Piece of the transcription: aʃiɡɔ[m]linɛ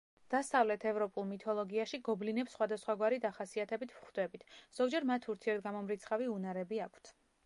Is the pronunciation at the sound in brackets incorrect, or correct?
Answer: incorrect: b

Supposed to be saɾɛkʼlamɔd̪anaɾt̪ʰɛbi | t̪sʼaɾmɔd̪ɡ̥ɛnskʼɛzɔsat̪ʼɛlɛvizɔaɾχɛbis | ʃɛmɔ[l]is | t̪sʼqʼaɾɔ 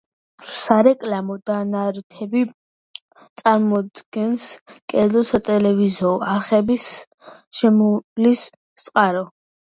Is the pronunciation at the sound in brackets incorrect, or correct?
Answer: correct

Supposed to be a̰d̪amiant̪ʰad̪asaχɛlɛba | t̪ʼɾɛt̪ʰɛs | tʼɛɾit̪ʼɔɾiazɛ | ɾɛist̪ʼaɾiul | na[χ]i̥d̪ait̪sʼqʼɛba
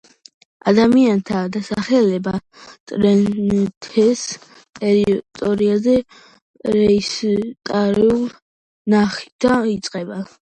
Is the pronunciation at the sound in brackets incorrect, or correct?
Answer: correct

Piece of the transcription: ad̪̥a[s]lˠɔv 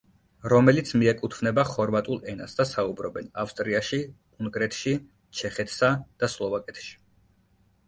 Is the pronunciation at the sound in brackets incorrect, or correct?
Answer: correct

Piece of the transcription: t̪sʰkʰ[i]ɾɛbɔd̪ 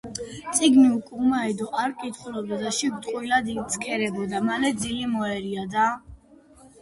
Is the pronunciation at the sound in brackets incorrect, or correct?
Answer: incorrect: ɛ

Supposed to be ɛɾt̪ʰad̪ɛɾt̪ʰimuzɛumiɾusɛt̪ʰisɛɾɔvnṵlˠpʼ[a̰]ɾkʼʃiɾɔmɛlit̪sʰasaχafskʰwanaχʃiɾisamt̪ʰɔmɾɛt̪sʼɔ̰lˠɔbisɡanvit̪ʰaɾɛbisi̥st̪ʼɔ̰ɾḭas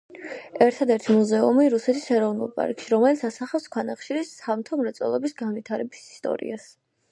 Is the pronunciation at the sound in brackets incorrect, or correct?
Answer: correct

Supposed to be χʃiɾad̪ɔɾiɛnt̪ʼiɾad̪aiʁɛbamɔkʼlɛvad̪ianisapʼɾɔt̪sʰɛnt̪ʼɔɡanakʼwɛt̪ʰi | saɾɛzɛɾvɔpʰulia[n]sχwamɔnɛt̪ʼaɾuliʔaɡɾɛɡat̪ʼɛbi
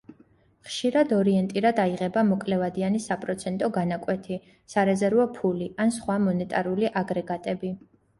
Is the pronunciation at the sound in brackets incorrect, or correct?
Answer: correct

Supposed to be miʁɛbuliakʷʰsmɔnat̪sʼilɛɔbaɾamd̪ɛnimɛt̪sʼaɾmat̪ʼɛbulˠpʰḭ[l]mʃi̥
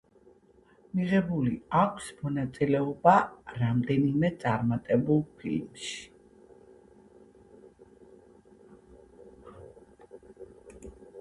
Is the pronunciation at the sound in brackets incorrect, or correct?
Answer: correct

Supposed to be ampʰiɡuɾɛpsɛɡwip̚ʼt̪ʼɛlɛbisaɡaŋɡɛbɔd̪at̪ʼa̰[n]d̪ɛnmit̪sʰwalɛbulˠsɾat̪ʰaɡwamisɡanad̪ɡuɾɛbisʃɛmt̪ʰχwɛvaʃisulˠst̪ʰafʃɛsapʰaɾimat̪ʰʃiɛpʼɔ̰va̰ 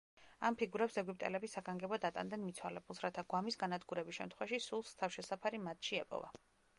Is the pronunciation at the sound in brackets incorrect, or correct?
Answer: correct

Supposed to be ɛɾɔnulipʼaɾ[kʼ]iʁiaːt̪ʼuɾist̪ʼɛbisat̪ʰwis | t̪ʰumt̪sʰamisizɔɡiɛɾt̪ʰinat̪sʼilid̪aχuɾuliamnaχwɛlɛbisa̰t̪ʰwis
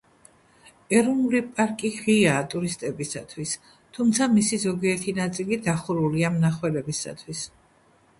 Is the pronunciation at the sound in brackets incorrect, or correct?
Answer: correct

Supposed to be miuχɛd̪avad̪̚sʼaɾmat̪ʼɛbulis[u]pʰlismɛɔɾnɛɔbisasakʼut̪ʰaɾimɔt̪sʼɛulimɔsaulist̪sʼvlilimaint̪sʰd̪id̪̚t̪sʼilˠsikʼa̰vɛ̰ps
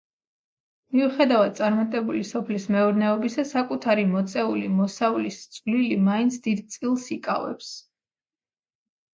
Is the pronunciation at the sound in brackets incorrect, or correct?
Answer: incorrect: ɔ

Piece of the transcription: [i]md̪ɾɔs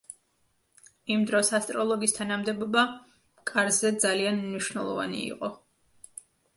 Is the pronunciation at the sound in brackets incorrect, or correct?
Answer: correct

